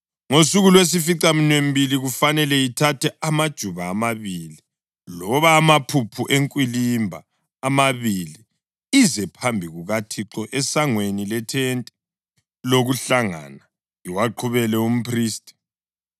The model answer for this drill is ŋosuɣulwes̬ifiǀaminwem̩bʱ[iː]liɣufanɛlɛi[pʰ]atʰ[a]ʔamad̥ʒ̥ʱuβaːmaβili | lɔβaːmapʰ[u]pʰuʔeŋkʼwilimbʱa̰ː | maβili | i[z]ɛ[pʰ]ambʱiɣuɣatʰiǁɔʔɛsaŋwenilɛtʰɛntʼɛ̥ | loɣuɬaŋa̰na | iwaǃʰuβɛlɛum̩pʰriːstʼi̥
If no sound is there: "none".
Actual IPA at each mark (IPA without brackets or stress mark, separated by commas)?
i, tʰ, ɛ, u, z, pʰ